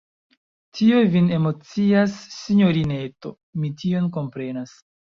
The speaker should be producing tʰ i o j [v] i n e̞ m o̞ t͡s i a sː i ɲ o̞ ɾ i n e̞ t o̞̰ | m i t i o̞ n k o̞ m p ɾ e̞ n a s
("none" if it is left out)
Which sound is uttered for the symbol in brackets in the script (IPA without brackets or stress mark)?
v